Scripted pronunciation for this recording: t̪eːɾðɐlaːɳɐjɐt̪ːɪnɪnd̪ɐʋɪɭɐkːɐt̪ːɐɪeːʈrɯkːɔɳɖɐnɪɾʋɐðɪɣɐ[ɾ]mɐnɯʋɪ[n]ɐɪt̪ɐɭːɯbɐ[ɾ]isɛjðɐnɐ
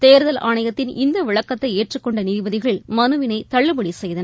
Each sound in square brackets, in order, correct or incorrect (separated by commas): incorrect, correct, incorrect